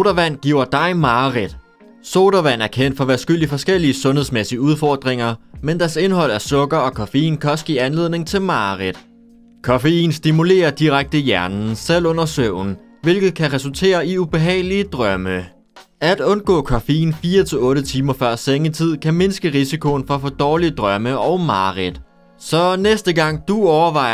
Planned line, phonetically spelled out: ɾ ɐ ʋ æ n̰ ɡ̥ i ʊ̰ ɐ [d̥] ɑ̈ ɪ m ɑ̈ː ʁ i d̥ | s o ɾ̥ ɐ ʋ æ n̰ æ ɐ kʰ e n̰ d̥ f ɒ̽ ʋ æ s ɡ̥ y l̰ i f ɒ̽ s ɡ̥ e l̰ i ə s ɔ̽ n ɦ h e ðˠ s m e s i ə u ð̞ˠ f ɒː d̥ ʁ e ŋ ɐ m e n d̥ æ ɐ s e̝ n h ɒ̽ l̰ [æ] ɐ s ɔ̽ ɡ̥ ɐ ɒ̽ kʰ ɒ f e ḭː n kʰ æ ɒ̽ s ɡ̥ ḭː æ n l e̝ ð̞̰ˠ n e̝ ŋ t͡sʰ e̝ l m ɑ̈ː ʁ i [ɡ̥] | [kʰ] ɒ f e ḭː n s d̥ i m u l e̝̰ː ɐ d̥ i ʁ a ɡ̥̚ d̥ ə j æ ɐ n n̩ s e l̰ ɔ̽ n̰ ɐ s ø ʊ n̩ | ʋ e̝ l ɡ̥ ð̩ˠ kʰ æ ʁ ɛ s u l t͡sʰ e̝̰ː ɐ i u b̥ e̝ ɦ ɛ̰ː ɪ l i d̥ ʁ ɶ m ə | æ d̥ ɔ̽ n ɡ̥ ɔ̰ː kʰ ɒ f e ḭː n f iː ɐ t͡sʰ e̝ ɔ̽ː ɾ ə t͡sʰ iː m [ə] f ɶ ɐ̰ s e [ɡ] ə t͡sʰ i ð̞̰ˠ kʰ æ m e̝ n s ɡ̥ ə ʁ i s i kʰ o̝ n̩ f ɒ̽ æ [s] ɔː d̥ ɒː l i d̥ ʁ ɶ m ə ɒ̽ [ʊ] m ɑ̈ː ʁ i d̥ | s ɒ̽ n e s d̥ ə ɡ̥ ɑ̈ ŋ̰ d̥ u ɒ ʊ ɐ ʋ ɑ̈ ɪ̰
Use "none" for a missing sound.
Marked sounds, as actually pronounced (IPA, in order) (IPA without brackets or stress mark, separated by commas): d̥, æ, d̥, kʰ, ɐ, ŋ, f, ʊ